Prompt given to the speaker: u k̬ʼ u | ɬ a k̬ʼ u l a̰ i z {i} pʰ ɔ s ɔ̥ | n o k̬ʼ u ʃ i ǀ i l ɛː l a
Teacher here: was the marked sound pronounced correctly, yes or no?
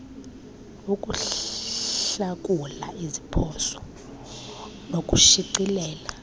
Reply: yes